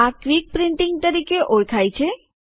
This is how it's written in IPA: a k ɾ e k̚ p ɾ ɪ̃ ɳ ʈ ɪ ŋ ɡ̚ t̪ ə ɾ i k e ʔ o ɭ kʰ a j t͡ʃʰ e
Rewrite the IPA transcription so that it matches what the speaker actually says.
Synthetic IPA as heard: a k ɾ i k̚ p ɾ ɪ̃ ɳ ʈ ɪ ŋ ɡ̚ t̪ ə ɾ i k e ʔ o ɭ kʰ a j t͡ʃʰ e